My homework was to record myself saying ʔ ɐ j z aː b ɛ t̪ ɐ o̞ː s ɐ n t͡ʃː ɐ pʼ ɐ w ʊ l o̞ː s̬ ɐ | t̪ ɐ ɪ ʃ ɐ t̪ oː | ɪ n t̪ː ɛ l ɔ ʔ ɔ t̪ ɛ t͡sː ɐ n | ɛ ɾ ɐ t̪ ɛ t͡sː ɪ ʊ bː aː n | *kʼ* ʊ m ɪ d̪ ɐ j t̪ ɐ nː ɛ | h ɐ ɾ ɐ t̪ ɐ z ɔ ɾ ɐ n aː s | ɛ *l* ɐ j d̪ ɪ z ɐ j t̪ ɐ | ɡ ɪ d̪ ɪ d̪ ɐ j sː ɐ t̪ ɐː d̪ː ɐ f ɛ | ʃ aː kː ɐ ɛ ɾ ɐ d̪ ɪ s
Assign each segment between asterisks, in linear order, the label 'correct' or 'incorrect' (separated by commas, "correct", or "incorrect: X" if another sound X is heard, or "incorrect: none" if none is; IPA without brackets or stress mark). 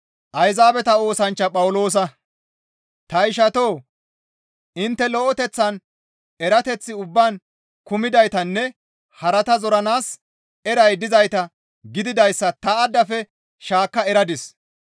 incorrect: k, incorrect: ɾ